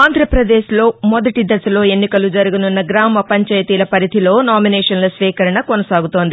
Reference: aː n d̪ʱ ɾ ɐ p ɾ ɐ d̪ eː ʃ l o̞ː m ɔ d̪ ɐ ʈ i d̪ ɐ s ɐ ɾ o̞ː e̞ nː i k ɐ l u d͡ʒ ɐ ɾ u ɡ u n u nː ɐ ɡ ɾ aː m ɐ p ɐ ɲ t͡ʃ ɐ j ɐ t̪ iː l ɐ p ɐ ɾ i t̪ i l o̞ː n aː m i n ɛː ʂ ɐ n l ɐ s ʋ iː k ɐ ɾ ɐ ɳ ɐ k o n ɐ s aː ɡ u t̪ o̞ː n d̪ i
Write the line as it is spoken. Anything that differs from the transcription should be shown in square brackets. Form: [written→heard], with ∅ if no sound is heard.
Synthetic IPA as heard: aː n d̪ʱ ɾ ɐ p ɾ ɐ d̪ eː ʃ l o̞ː m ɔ d̪ ɐ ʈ i d̪ ɐ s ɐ [ɾ→l] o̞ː e̞ nː i k ɐ l u d͡ʒ ɐ ɾ u ɡ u n u nː ɐ ɡ ɾ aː m ɐ p ɐ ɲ t͡ʃ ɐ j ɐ t̪ iː l ɐ p ɐ ɾ i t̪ i l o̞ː n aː m i n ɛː ʂ ɐ n l ɐ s ʋ iː k ɐ ɾ ɐ ɳ ɐ k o n ɐ s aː ɡ u t̪ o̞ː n d̪ i